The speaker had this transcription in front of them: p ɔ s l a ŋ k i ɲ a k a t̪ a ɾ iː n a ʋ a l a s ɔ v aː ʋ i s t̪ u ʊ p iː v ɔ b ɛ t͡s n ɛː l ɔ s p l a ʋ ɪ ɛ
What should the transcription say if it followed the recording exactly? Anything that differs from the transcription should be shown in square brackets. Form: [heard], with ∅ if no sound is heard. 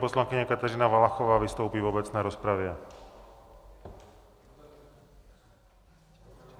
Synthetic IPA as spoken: p ɔ s l a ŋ k i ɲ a k a t̪ a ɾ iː n a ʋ a l a [x] ɔ [ʋ] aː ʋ i s t̪ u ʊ p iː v ɔ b ɛ t͡s n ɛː [ɾ] ɔ s p [ɾ] a ʋ ɪ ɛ